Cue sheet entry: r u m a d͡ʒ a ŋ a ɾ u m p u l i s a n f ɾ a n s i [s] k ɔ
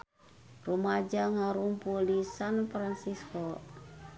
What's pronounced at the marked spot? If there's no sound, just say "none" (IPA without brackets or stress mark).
s